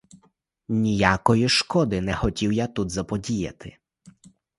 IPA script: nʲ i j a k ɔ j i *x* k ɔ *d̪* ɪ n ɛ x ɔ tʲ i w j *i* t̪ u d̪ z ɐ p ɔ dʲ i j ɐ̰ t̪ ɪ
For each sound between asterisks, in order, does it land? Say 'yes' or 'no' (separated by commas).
no, yes, no